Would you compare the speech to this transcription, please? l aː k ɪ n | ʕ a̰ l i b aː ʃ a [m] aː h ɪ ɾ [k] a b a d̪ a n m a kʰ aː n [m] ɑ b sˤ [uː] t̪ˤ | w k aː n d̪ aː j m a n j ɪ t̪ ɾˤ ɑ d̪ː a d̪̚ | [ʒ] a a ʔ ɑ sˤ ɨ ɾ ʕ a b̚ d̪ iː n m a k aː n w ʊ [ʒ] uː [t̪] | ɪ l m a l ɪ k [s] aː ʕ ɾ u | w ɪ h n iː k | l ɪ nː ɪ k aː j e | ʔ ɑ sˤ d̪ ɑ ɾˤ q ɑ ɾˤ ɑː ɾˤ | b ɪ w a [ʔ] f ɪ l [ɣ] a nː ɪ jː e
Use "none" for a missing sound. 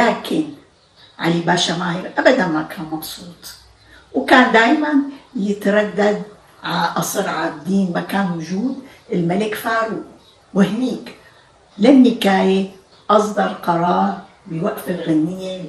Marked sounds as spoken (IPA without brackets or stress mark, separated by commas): m, ʔ, m, uː, ʕ, ʒ, d̪, f, ʔ, ɣ